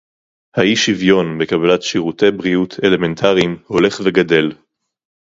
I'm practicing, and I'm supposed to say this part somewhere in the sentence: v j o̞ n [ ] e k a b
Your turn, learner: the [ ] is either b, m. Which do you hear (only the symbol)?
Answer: b